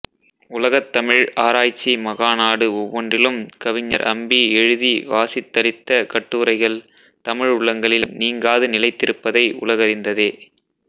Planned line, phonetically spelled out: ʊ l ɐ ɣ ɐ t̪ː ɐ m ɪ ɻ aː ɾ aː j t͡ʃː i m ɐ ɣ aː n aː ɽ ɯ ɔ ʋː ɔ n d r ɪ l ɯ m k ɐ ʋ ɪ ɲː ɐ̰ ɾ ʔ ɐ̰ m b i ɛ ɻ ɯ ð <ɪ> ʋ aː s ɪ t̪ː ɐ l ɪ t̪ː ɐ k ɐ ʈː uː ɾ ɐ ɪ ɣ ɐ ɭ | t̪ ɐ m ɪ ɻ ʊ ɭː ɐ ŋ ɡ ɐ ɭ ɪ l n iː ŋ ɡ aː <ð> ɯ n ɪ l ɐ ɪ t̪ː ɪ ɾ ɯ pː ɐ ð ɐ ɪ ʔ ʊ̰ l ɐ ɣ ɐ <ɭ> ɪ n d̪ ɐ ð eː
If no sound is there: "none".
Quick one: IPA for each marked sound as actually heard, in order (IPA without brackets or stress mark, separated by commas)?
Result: i, ð, ɾ